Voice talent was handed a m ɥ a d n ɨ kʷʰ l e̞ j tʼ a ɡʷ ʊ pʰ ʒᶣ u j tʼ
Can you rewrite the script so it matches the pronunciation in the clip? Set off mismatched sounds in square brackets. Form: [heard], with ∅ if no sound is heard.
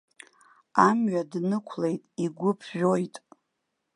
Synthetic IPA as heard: a m ɥ a d n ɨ kʷʰ l e̞ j tʼ [i] ɡʷ ʊ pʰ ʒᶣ [o] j tʼ